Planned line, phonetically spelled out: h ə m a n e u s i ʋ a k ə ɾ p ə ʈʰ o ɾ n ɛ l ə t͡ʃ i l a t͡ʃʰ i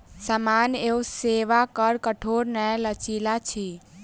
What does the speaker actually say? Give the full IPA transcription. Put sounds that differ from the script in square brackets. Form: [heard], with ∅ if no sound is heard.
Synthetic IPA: [s] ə m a n e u s [e] ʋ a k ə ɾ [k] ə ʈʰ o ɾ n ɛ l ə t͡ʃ i l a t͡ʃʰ i